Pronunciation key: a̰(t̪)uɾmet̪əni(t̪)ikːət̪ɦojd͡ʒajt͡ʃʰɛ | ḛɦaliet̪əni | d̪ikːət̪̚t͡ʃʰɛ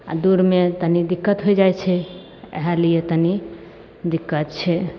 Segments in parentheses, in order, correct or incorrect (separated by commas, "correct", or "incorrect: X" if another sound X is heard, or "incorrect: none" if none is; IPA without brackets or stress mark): incorrect: d̪, incorrect: d̪